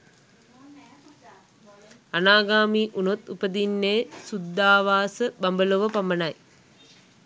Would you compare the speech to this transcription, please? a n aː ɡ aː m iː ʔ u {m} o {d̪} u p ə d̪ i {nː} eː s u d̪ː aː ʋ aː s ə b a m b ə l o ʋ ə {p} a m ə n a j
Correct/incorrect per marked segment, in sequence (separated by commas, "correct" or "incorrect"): incorrect, incorrect, correct, correct